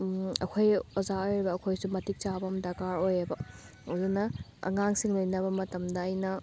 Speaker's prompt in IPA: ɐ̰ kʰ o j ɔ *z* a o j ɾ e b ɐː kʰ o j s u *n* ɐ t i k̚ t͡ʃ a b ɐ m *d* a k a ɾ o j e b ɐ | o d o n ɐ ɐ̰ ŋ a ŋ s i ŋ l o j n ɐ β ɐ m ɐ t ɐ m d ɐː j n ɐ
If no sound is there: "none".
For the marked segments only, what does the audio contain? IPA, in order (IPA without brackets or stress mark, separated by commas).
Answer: z, m, d